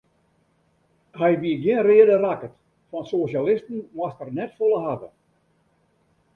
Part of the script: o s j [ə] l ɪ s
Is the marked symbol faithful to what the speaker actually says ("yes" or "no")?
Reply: no